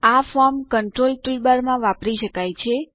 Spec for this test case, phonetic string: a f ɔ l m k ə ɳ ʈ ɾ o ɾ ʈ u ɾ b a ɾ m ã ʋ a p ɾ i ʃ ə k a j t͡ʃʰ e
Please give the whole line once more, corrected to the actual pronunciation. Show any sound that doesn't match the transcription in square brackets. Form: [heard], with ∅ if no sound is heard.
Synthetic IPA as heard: a f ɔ [ɾ] m k ə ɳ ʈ ɾ o [l] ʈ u [l] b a ɾ m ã ʋ a p ɾ i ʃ ə k a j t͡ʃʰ e